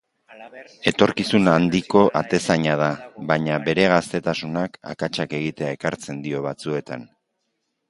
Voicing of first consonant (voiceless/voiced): voiceless